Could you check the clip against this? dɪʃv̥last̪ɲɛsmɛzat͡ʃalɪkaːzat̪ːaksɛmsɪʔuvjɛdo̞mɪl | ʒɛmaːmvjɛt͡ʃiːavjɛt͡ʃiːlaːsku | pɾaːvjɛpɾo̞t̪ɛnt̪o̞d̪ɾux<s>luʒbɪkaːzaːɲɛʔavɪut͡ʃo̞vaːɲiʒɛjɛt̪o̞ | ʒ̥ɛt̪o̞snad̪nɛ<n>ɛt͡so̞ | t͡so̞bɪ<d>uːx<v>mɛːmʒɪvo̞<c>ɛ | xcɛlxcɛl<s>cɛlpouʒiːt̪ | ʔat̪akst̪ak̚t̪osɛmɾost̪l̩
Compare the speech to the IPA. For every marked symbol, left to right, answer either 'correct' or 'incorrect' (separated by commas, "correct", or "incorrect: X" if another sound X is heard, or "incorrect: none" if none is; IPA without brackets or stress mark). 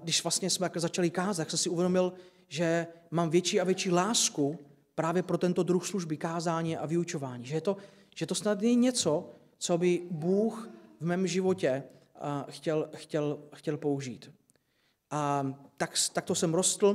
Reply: correct, incorrect: ɲ, incorrect: b, correct, correct, incorrect: x